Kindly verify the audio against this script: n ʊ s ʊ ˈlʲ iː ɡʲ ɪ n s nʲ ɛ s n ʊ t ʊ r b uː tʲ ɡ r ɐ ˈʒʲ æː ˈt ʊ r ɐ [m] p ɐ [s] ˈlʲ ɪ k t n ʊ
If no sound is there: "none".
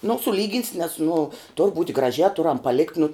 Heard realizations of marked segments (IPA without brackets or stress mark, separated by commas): m, none